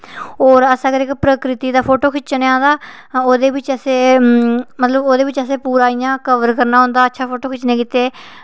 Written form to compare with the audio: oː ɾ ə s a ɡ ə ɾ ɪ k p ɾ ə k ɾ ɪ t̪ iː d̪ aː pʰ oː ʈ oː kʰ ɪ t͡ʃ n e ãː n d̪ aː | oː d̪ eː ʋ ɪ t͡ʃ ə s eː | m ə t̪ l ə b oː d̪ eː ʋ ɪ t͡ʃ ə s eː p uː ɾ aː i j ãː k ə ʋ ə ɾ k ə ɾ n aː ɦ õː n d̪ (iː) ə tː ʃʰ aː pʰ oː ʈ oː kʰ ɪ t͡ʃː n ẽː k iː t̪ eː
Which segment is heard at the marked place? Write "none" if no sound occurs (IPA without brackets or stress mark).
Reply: aː